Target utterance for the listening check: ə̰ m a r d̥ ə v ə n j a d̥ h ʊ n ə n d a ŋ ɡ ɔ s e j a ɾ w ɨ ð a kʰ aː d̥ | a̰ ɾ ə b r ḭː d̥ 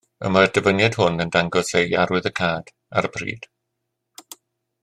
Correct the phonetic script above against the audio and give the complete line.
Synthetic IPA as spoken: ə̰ m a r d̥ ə v ə n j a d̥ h ʊ n ə n d a ŋ ɡ ɔ s e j a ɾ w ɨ ð ə kʰ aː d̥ | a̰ ɾ ə b r ḭː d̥